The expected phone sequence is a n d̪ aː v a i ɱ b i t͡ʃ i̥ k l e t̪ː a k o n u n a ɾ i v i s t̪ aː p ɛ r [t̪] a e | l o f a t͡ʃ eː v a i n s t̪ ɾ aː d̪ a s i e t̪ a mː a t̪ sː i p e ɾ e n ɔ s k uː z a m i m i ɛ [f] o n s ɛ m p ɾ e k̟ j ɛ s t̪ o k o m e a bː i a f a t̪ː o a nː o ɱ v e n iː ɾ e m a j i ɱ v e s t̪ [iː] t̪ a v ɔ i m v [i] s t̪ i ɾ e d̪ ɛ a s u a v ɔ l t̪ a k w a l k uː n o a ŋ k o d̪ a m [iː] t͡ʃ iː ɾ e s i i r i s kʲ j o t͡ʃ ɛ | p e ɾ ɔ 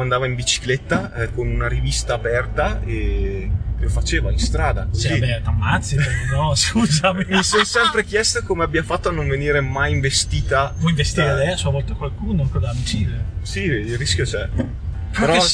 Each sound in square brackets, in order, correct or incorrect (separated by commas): correct, incorrect, correct, incorrect, incorrect